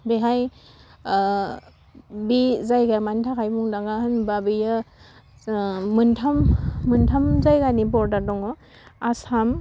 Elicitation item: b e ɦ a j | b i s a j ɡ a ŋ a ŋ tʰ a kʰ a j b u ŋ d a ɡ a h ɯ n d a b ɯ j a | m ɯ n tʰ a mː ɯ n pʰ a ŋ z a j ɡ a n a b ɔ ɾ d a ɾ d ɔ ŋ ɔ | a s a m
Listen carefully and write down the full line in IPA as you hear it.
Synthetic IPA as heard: b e ɦ a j | b i z a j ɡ a m a n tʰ a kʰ a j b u ŋ d a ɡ a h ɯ n b a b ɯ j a | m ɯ n tʰ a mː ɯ n tʰ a m z a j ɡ a n i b ɔ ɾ d a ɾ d ɔ ŋ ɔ | a s a m